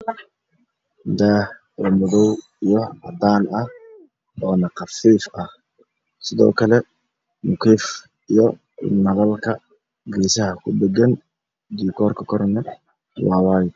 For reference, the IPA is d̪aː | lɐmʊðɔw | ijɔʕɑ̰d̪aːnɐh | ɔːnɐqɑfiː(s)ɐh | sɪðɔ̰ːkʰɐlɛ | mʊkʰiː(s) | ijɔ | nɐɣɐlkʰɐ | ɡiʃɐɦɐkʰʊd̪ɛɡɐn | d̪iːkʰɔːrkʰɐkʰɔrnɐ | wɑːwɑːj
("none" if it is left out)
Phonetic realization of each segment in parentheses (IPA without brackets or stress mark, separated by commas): f, f